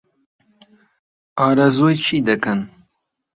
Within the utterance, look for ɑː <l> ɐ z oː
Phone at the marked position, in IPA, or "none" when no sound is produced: ɾ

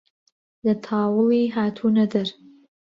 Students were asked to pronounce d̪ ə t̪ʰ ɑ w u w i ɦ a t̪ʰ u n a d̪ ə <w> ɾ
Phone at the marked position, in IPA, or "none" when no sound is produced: none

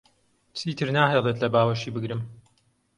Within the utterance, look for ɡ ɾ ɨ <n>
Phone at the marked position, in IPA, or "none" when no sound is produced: m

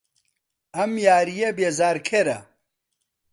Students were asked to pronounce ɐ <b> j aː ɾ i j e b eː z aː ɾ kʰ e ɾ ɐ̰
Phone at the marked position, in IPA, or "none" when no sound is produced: m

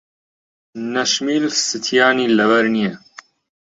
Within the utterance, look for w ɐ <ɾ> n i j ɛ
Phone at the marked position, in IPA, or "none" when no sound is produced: ɾ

